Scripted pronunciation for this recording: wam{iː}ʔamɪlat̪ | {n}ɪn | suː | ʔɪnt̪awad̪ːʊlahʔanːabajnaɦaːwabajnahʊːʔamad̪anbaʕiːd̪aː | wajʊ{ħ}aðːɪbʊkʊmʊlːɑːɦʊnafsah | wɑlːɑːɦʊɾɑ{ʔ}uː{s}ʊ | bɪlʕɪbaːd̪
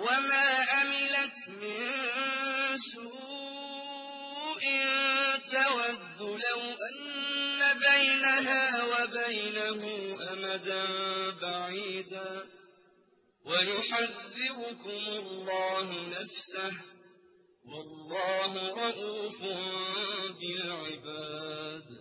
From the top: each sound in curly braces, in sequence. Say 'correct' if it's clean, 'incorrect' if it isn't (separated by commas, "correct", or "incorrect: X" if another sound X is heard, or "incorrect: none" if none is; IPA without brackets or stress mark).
incorrect: aː, incorrect: m, correct, correct, incorrect: f